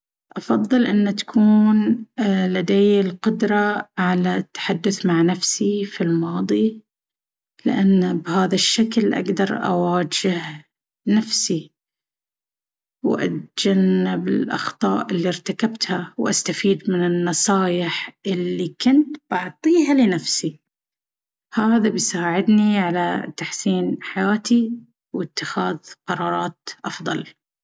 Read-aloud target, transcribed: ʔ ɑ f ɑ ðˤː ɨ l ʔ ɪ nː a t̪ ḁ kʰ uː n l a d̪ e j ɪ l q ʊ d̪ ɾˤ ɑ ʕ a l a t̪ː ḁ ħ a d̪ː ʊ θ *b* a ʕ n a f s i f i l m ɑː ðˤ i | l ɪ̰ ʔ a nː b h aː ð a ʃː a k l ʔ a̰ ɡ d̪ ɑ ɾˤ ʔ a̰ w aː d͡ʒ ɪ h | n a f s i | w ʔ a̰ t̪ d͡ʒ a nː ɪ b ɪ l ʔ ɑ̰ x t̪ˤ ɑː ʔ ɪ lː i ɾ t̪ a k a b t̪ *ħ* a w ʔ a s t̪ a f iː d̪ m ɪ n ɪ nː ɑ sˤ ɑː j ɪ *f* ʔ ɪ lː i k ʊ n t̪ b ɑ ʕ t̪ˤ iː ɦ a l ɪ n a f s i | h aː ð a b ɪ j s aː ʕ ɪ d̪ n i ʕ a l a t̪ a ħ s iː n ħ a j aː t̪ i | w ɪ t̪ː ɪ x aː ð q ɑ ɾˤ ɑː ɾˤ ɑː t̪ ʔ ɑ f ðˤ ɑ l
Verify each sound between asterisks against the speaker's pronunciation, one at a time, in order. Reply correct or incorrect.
incorrect: m, incorrect: h, incorrect: ħ

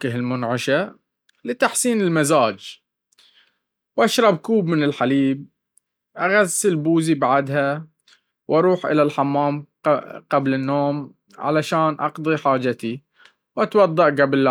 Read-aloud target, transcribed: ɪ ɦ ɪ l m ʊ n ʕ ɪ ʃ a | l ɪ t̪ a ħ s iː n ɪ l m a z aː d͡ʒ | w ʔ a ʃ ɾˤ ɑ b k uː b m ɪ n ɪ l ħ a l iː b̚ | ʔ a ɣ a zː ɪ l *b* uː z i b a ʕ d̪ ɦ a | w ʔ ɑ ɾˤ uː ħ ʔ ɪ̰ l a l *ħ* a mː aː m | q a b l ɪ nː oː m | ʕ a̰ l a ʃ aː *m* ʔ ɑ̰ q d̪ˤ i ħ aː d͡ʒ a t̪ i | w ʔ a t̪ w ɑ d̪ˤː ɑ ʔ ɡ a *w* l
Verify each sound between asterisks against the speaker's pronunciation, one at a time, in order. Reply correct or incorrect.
correct, correct, incorrect: n, incorrect: b

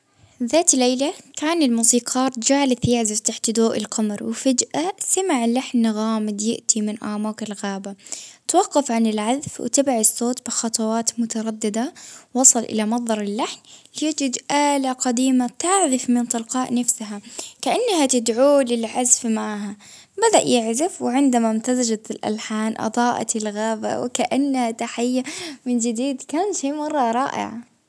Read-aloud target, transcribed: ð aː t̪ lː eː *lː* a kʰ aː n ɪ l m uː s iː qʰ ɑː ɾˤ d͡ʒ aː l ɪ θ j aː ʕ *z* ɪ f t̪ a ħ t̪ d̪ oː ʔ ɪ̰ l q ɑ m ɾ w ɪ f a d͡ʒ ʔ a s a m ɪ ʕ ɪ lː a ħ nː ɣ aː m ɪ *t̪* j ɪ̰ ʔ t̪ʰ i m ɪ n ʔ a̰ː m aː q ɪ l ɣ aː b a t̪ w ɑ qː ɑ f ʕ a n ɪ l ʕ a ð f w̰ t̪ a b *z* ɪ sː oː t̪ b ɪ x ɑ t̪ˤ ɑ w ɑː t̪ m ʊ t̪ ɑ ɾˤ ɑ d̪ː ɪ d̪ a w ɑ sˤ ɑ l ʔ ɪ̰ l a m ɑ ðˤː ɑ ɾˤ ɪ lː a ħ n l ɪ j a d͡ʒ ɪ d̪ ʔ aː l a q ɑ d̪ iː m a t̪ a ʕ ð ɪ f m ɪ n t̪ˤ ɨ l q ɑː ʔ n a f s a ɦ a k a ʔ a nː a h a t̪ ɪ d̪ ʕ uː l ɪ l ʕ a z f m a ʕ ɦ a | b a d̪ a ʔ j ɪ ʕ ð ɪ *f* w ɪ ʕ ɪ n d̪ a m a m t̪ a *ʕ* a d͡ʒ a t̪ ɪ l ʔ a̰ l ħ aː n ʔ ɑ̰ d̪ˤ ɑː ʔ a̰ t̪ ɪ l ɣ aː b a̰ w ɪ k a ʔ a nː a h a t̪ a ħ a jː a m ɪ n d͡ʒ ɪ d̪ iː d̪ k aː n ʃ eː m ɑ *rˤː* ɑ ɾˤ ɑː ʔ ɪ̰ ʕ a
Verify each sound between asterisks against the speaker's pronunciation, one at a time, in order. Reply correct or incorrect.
incorrect: l, correct, incorrect: d̪, incorrect: ʕ, correct, incorrect: z, correct

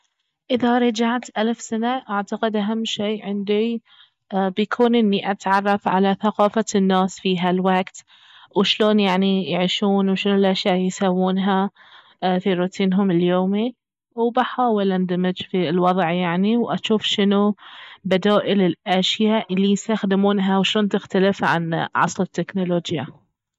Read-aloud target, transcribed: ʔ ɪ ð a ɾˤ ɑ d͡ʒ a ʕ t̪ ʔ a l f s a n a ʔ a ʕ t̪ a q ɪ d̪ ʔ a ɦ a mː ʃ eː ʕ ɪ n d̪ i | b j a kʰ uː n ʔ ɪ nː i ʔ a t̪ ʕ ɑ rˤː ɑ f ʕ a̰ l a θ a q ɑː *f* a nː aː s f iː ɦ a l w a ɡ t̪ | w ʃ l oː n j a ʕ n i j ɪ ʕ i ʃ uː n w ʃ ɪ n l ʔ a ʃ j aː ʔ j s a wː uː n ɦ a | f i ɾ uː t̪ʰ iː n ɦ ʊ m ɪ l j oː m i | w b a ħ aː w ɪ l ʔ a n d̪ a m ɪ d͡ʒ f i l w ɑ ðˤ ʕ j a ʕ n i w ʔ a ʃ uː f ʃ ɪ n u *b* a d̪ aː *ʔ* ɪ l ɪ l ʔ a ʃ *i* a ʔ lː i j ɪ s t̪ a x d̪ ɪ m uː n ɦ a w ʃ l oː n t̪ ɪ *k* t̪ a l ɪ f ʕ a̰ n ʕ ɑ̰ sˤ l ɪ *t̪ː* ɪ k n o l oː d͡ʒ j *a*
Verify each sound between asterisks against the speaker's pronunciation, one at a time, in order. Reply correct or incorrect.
correct, correct, correct, incorrect: j, incorrect: x, correct, correct

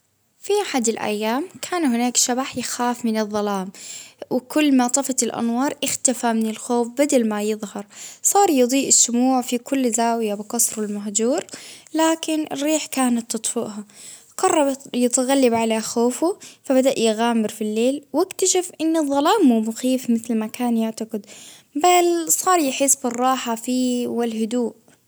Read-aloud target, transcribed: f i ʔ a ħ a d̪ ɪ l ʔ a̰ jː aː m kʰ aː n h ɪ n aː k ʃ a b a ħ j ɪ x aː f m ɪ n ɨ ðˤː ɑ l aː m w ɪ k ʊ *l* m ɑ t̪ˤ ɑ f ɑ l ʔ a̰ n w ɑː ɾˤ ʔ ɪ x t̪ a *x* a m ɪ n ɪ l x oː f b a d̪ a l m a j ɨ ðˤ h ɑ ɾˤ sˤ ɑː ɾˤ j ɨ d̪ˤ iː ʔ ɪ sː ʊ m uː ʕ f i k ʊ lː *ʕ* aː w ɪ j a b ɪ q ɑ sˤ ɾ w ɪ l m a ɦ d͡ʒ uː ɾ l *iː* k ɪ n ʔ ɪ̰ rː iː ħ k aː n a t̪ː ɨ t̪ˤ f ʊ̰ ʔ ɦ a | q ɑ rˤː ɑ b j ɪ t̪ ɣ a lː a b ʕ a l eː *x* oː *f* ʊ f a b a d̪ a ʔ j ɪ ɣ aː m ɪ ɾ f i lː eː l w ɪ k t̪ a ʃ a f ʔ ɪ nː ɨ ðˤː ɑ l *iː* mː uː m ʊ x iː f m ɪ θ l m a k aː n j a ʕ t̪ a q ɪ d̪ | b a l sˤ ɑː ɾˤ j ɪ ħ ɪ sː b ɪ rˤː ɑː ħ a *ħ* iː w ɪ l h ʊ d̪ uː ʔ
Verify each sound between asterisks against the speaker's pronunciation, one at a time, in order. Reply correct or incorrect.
incorrect: lː, incorrect: f, incorrect: z, incorrect: aː, correct, correct, incorrect: aː, incorrect: f

